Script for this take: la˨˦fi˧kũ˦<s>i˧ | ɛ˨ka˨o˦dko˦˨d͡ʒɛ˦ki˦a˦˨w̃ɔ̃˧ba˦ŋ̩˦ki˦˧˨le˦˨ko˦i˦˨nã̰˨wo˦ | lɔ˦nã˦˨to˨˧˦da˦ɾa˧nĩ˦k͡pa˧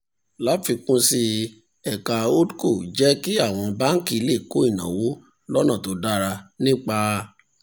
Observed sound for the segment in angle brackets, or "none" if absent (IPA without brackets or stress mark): s